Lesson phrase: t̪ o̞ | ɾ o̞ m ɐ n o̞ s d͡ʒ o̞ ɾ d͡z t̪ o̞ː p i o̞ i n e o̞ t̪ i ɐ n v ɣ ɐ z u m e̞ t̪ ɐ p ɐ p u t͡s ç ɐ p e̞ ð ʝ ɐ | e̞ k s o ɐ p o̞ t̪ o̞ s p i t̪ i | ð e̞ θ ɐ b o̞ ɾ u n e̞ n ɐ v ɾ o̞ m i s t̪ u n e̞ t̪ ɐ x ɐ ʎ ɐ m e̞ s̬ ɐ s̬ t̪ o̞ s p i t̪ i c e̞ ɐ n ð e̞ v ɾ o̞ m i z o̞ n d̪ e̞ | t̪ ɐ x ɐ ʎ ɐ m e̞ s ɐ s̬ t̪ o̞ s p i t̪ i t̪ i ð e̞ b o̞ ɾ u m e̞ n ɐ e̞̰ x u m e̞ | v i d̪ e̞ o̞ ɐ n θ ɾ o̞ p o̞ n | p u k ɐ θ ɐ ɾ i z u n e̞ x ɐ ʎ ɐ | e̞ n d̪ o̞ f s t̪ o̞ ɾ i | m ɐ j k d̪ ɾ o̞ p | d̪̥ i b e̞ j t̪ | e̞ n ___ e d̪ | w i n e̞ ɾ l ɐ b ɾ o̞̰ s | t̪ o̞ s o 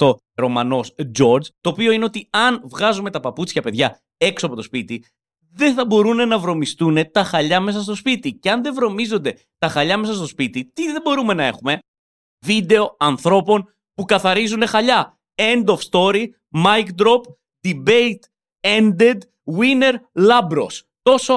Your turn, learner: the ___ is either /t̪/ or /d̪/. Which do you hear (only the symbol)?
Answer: d̪